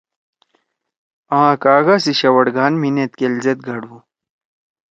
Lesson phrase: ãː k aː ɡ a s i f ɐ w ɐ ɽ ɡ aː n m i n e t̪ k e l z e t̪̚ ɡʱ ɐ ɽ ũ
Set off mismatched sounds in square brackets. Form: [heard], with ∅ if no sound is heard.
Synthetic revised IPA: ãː k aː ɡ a s i [ɕ] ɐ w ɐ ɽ ɡ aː n m i n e t̪ k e l z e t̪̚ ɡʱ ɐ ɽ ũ